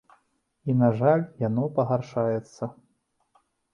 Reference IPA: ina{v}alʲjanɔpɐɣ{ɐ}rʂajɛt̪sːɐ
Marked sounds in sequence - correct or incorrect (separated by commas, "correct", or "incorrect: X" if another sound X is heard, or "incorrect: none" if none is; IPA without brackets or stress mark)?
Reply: incorrect: ʐ, incorrect: a